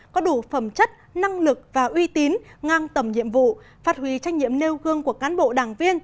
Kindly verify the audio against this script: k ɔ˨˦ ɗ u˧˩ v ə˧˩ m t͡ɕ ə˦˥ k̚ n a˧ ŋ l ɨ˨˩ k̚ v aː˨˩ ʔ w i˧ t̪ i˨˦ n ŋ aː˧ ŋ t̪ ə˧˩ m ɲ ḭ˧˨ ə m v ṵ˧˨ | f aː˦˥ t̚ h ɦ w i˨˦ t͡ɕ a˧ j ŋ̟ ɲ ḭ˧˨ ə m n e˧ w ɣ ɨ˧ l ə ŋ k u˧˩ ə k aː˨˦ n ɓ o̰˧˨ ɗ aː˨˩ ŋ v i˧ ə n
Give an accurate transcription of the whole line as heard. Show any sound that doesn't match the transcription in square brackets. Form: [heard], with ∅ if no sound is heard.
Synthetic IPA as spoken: k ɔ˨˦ ɗ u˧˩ [f] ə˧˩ m t͡ɕ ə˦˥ [t̚] n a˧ ŋ l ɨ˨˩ k̚ v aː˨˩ ʔ w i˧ t̪ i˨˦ n ŋ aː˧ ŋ t̪ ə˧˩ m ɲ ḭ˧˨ ə m v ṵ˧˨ | f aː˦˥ t̚ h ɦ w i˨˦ t͡ɕ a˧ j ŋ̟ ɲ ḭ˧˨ ə m n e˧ w ɣ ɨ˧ [∅] ə ŋ k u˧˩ ə k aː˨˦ n ɓ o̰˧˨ ɗ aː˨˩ ŋ v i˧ ə n